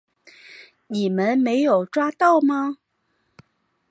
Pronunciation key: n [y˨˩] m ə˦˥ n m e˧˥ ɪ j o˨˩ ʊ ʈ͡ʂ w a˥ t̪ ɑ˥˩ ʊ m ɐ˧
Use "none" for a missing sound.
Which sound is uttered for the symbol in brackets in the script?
i˨˩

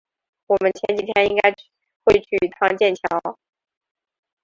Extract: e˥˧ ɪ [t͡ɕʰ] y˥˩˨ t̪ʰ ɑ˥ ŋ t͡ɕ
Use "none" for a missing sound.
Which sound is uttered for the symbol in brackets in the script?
t͡ɕʰ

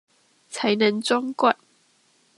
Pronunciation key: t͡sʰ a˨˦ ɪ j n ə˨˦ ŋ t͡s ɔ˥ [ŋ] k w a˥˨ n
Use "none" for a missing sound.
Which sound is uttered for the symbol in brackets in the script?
ŋ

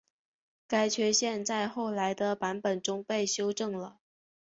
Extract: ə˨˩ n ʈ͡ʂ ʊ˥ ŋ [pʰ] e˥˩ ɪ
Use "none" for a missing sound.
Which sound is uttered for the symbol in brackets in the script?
p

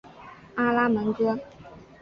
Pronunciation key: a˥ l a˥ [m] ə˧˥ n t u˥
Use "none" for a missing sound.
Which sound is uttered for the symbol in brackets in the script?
m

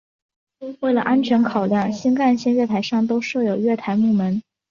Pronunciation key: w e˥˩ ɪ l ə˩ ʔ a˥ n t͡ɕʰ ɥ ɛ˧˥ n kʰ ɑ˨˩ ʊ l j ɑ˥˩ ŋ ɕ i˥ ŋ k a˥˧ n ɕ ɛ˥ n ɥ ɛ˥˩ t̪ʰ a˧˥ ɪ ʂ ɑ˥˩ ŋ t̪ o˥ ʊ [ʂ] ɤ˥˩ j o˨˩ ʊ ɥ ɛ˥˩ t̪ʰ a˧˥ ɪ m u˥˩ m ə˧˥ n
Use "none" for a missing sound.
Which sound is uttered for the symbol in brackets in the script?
ʂ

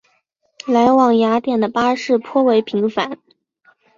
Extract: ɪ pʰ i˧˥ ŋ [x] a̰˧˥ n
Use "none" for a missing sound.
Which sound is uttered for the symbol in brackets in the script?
f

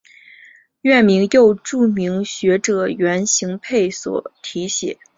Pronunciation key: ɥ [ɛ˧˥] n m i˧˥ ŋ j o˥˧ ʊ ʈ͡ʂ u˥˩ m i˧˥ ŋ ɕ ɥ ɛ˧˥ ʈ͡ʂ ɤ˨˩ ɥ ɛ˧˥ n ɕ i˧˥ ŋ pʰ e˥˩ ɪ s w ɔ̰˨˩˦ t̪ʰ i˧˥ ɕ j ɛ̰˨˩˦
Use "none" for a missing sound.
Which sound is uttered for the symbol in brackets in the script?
ɛ˥˩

